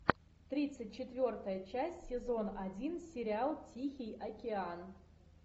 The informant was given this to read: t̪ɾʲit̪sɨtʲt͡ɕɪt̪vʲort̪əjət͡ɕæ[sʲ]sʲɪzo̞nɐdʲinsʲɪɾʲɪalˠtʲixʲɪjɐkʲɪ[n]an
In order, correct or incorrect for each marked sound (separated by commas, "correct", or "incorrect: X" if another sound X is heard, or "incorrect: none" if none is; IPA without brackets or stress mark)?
correct, incorrect: none